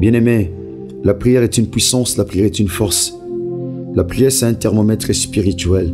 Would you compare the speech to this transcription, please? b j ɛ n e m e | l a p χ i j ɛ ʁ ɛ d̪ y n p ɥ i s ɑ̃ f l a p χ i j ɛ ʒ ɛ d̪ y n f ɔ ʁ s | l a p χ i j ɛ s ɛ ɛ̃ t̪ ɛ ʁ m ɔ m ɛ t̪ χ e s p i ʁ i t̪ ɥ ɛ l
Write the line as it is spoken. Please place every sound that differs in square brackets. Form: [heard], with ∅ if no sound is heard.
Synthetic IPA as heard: b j [ɛ̃] n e m e | l a p χ i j ɛ ʁ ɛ [t̪] y n p ɥ i s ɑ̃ [s] l a p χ i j ɛ [ʁ] ɛ [t̪] y n f ɔ ʁ s | l a p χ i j ɛ s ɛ ɛ̃ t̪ ɛ ʁ m ɔ m ɛ t̪ χ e s p i ʁ i t̪ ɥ ɛ l